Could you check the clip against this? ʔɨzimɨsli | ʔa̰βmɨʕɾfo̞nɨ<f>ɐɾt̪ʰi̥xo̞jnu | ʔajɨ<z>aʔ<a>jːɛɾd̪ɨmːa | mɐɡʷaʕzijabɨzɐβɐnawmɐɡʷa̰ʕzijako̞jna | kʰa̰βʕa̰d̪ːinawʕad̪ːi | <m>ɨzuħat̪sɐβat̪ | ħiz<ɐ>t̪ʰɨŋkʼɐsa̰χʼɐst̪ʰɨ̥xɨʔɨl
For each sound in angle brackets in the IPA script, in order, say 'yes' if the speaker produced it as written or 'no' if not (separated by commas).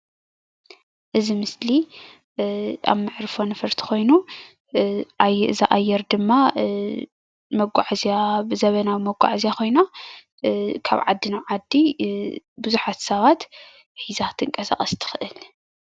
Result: yes, yes, yes, no, no